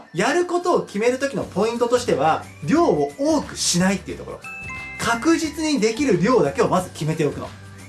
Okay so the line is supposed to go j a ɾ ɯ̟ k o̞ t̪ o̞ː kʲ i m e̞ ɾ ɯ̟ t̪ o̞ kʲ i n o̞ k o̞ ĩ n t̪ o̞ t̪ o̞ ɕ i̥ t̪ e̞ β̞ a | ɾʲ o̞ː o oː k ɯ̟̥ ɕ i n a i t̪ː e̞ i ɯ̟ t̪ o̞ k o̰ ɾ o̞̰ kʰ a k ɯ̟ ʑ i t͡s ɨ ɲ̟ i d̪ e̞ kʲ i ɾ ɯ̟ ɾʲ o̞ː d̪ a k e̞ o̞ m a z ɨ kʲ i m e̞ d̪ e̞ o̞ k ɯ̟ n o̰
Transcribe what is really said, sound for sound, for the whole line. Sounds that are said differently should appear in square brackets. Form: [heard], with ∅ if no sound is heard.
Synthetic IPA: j a ɾ ɯ̟ k o̞ t̪ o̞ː kʲ i m e̞ ɾ ɯ̟ t̪ o̞ kʲ i n o̞ [p] o̞ ĩ n t̪ o̞ t̪ o̞ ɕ i̥ t̪ e̞ β̞ a | ɾʲ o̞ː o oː k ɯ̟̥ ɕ i n a i t̪ː e̞ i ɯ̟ t̪ o̞ k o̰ ɾ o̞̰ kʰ a k ɯ̟ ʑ i t͡s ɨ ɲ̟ i d̪ e̞ kʲ i ɾ ɯ̟ ɾʲ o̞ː d̪ a k e̞ o̞ m a z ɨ kʲ i m e̞ [t̪] e̞ o̞ k ɯ̟ n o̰